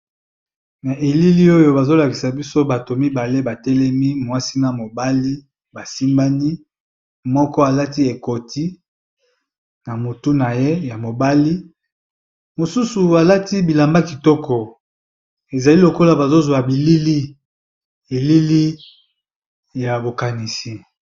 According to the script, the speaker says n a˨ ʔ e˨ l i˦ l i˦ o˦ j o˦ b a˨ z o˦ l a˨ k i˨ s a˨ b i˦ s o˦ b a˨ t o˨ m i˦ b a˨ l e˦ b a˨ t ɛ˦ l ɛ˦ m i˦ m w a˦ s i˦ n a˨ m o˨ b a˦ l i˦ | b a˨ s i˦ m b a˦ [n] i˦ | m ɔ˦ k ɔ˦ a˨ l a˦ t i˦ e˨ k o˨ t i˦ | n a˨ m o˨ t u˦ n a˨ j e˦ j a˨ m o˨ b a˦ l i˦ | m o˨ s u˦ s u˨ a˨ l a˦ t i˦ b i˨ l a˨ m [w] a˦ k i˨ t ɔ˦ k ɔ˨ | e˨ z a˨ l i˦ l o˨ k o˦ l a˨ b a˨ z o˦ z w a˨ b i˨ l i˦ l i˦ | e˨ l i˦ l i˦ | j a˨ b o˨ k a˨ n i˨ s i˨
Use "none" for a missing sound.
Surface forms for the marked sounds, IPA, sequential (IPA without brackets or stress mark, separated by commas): n, b